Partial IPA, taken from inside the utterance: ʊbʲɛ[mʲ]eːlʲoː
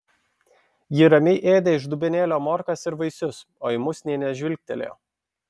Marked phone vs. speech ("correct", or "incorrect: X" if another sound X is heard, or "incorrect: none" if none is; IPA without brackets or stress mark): incorrect: nʲ